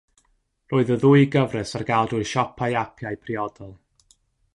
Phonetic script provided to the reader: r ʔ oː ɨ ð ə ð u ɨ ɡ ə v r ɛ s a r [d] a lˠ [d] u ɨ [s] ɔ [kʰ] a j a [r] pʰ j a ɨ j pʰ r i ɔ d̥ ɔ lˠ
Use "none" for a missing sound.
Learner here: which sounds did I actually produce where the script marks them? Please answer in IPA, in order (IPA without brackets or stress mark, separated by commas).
ɡ, d, ʃ, pʰ, none